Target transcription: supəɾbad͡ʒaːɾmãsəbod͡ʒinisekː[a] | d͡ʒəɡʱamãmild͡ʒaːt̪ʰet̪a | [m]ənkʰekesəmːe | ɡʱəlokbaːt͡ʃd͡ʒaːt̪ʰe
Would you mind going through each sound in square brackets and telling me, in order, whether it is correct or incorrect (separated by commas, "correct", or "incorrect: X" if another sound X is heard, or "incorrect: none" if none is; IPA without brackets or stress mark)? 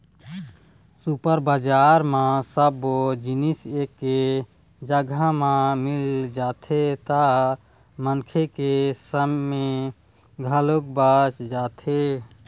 incorrect: e, correct